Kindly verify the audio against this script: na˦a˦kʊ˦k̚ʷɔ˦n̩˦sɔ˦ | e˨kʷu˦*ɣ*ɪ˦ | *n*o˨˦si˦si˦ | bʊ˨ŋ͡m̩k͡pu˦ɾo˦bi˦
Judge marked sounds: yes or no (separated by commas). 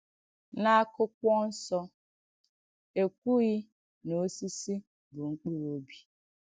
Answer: yes, yes